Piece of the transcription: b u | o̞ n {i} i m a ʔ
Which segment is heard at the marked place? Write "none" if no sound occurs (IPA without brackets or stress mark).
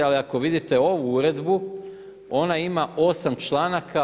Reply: a